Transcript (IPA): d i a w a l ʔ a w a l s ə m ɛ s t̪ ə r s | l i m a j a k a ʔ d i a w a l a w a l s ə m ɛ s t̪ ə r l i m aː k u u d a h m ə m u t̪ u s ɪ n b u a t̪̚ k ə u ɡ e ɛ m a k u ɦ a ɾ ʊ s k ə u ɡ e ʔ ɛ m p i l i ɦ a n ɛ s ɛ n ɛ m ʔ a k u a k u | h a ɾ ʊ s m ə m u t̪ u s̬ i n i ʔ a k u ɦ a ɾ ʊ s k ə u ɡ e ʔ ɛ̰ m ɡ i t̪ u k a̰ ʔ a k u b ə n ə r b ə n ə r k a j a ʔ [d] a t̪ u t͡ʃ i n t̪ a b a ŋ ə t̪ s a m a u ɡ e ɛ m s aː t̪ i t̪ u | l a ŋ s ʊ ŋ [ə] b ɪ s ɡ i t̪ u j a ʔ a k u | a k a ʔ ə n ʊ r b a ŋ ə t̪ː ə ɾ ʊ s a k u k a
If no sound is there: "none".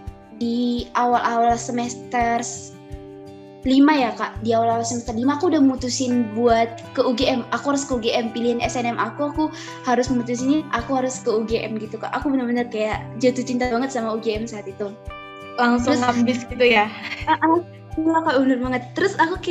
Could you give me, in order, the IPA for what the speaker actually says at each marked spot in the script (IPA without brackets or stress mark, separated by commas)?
d͡ʒ, a